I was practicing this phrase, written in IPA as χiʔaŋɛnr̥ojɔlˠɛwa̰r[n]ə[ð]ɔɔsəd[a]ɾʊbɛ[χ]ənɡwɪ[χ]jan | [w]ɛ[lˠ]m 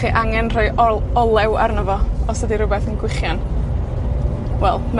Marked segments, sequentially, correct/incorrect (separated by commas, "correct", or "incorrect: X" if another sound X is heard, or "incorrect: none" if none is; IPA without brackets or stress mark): correct, incorrect: v, incorrect: i, incorrect: θ, correct, correct, correct